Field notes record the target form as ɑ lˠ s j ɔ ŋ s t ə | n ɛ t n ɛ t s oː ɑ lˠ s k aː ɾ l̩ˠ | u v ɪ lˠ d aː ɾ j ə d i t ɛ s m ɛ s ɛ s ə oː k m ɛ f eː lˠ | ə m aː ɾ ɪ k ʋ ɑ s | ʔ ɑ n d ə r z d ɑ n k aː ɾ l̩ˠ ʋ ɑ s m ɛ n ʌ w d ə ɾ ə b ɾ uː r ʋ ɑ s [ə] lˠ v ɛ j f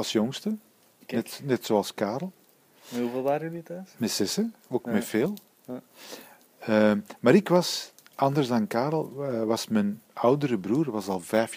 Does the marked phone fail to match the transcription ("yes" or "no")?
yes